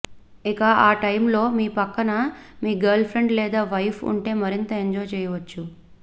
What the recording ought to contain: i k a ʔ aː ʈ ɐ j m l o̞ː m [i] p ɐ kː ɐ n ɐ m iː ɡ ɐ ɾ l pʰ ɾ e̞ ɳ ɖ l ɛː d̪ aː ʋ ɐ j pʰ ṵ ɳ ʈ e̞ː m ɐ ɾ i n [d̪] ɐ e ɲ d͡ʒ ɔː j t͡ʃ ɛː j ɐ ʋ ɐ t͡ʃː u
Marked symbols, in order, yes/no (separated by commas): no, no